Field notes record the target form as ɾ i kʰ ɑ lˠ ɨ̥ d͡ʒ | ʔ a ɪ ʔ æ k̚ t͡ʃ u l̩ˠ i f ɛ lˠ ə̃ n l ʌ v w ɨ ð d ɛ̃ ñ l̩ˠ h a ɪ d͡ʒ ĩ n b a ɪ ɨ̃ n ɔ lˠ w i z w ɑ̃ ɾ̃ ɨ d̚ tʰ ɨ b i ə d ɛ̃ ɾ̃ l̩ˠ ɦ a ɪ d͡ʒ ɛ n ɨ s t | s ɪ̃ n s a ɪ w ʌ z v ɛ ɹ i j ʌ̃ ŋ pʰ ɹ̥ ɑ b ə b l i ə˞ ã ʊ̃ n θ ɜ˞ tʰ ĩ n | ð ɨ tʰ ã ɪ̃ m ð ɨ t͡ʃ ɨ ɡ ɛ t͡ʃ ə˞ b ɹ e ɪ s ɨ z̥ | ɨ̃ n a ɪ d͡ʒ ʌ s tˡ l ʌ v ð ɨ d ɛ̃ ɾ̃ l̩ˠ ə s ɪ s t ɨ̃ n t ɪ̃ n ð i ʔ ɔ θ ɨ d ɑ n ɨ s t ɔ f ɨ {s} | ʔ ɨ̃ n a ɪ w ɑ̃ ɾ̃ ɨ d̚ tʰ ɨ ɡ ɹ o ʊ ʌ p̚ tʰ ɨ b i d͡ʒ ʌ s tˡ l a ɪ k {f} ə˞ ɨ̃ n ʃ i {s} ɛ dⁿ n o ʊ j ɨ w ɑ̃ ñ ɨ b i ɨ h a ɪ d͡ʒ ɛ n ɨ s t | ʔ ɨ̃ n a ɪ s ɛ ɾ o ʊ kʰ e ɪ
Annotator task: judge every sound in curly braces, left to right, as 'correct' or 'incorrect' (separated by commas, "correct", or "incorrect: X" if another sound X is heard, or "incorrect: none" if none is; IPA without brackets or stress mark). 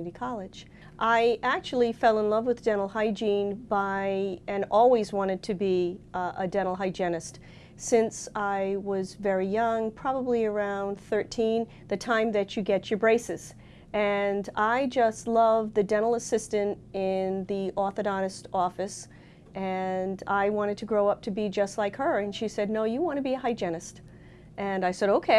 correct, incorrect: h, correct